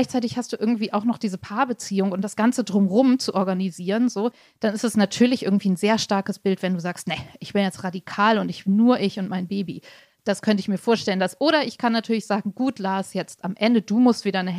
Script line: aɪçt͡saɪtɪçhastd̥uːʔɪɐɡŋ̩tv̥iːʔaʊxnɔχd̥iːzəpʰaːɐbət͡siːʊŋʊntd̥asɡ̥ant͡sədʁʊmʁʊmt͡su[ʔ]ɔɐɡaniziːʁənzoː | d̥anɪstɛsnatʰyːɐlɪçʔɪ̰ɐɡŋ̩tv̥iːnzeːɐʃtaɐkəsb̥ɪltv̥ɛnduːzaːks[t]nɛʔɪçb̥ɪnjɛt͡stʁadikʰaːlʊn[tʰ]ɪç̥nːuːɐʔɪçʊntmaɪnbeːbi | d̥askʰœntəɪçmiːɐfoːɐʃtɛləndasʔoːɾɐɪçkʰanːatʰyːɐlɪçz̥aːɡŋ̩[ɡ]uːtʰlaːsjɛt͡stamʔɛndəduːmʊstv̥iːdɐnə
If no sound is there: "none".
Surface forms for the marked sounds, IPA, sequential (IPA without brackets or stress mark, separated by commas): ʔ, t, t, ɡ